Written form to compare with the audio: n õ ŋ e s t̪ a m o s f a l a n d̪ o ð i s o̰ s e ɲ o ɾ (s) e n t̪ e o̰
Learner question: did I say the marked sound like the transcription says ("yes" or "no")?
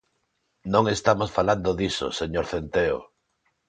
no